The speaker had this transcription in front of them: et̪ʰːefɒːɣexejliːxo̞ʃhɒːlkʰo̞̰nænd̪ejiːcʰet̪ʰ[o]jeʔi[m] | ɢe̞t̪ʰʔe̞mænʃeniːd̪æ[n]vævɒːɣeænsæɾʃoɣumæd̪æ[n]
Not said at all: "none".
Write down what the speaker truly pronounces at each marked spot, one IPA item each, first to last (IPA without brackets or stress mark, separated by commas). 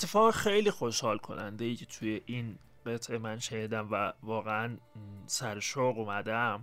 u, n, m, m